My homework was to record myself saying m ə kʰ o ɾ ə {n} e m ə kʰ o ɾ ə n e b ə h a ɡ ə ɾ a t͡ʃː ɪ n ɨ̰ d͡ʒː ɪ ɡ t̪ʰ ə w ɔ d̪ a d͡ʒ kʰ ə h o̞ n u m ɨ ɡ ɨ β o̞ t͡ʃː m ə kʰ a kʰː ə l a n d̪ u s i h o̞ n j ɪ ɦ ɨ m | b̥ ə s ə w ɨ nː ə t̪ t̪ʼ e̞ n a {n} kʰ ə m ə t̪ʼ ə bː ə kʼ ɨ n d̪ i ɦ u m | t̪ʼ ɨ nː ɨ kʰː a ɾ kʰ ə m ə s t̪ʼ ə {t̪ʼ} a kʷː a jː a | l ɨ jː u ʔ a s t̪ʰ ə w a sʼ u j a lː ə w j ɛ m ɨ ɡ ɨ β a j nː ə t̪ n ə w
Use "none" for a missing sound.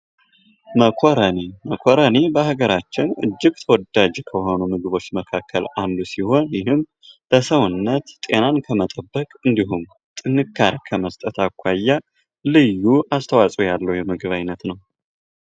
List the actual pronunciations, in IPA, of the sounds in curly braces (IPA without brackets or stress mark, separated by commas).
n, n, t̪